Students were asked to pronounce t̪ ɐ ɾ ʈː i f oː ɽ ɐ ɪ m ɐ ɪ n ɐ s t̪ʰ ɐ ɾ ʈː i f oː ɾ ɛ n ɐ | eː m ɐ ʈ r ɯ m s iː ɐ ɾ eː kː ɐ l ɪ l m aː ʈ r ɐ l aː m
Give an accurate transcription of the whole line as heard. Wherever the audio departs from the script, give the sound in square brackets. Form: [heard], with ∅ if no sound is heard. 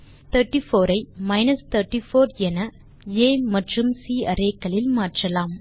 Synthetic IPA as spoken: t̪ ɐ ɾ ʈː i f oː [ɾ] ɐ ɪ m ɐ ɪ n ɐ s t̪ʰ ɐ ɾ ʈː i f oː ɾ ɛ n ɐ | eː m ɐ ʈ r ɯ m s iː ɐ ɾ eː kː ɐ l ɪ l m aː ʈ r ɐ l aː m